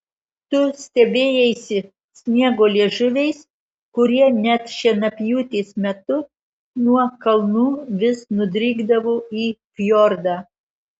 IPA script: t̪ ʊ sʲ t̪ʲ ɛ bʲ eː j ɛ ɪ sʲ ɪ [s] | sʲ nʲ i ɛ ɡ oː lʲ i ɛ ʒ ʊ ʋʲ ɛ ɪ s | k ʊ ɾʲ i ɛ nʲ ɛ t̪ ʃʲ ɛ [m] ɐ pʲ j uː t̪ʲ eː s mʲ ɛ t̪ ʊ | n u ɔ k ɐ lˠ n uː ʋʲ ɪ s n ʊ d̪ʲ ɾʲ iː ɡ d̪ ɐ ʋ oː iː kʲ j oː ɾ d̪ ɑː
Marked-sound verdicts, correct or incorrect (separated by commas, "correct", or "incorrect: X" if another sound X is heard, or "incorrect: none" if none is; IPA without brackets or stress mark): incorrect: none, incorrect: n